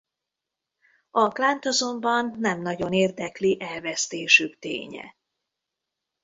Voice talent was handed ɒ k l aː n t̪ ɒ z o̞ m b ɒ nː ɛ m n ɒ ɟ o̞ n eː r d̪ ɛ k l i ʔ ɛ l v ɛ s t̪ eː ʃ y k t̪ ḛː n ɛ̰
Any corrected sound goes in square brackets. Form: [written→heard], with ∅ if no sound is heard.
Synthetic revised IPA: ɒ k l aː n t̪ ɒ z o̞ m b ɒ nː ɛ m n ɒ ɟ o̞ n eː r d̪ ɛ k l i ʔ ɛ l v ɛ s t̪ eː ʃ y k t̪ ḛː [n→ɲ] ɛ̰